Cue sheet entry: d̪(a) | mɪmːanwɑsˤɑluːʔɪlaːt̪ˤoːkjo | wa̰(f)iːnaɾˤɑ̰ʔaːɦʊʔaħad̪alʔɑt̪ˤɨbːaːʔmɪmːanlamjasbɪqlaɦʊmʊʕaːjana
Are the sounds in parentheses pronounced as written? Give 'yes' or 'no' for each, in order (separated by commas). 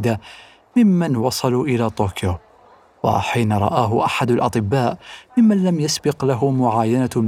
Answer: yes, no